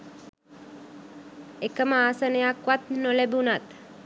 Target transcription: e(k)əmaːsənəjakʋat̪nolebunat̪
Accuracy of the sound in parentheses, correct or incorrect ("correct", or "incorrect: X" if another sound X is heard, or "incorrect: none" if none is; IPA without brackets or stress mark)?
correct